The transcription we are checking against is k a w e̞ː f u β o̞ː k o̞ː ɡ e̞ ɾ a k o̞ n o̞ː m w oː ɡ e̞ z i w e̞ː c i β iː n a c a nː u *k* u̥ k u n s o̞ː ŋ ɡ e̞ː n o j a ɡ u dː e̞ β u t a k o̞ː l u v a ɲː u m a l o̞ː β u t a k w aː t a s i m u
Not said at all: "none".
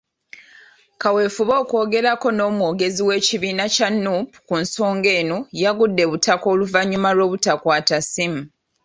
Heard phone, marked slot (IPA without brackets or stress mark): p